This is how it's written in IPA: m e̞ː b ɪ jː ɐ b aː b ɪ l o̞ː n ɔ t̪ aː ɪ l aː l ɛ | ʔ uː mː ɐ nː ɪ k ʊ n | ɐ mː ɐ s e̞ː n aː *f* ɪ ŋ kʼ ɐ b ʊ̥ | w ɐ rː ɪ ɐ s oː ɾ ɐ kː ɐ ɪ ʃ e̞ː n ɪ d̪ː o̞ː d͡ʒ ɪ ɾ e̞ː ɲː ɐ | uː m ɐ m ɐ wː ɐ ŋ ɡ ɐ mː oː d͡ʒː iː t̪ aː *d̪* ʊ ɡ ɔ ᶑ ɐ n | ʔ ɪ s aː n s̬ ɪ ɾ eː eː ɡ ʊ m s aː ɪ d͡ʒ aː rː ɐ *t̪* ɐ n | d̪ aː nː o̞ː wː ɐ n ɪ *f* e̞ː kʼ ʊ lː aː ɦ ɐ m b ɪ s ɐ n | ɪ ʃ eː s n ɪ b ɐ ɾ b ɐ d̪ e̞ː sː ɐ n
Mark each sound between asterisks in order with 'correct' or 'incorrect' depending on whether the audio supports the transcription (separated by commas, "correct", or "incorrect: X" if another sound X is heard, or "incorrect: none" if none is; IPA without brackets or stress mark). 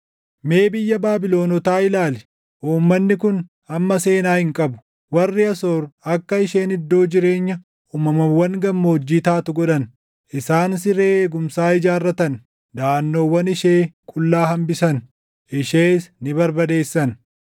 incorrect: h, incorrect: t̪, correct, incorrect: ʃ